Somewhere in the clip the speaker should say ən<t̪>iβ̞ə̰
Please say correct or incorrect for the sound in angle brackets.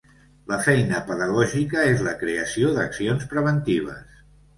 correct